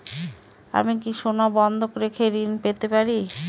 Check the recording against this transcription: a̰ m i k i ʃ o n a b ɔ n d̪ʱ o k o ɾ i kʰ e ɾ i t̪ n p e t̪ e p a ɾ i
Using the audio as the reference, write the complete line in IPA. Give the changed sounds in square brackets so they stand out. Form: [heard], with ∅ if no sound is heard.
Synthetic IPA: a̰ m i k i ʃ o n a b ɔ n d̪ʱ o k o ɾ [e] kʰ e ɾ i [∅] n p e t̪ e p a ɾ i